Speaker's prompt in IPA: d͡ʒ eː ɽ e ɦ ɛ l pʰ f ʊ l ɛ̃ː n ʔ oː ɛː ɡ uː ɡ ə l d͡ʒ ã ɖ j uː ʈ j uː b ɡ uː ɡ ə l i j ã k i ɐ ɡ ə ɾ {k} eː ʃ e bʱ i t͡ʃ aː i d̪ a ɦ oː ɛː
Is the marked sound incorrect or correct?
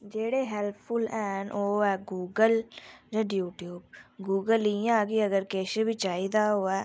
correct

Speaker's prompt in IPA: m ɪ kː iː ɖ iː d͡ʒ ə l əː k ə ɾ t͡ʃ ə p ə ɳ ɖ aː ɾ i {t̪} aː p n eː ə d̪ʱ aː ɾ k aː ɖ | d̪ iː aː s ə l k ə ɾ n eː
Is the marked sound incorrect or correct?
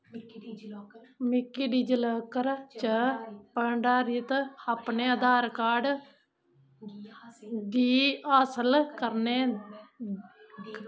correct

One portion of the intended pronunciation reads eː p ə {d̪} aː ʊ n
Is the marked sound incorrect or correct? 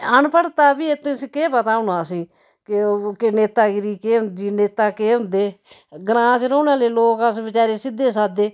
incorrect: t̪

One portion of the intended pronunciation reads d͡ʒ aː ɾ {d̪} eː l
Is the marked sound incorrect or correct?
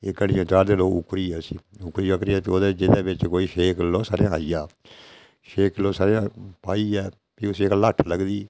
correct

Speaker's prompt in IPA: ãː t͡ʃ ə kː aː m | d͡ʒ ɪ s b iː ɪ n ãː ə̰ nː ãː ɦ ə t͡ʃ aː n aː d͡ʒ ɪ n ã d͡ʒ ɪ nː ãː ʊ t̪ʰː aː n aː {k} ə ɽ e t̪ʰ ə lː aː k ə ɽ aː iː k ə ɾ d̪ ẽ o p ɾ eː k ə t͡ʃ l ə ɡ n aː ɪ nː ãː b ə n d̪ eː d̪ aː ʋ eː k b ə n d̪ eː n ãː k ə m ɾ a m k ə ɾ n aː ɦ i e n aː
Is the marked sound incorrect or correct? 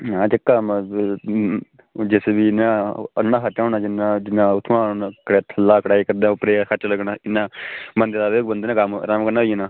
correct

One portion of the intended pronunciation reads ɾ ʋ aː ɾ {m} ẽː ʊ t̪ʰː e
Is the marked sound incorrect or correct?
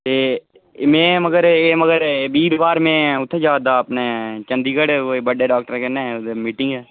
correct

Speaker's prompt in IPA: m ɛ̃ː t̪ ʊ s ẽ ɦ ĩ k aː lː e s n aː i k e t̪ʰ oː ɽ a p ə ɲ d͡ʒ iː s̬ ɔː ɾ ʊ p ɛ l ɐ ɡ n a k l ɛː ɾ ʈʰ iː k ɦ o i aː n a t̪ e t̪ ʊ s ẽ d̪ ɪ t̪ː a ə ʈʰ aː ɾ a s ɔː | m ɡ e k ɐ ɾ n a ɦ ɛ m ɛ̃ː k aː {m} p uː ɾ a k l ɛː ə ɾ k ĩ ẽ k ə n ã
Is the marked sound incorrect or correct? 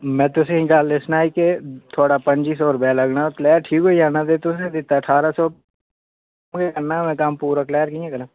correct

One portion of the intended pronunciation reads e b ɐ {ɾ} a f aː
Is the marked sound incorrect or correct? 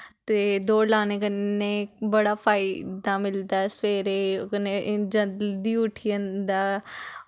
incorrect: ɽ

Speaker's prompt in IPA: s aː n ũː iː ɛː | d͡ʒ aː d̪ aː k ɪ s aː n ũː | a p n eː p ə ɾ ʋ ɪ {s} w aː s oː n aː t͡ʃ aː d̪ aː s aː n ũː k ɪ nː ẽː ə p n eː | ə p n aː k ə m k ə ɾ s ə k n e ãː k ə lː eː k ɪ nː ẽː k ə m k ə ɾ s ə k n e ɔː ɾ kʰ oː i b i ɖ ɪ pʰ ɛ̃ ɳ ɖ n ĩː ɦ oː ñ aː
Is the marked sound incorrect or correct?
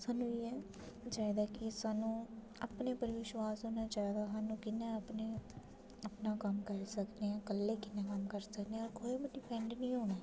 incorrect: ʃ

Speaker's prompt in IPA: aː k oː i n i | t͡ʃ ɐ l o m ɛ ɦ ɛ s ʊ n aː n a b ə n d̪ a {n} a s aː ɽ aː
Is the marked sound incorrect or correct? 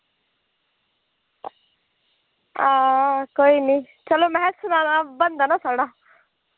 correct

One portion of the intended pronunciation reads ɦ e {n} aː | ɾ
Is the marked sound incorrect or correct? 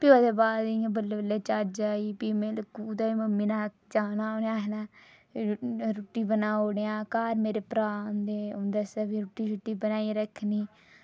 correct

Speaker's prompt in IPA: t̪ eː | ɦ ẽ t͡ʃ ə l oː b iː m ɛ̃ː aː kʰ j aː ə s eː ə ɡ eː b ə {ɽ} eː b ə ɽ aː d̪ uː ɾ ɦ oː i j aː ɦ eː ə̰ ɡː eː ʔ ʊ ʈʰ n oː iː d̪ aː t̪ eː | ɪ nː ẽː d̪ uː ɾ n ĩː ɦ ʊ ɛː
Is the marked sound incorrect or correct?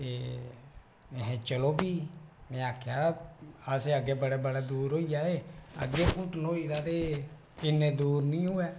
correct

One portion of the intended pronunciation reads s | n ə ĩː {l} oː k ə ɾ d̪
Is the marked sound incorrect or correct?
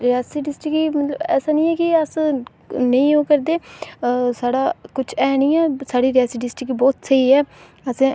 incorrect: none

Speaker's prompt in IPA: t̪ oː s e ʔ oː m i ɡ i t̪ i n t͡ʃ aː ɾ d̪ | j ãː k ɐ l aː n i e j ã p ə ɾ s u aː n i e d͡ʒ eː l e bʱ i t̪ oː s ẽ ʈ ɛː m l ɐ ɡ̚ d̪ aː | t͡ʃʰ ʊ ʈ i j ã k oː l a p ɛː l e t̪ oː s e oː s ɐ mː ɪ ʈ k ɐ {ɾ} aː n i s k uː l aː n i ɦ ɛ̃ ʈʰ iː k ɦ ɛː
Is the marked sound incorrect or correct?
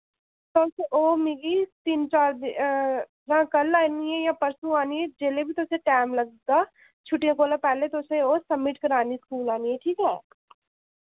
correct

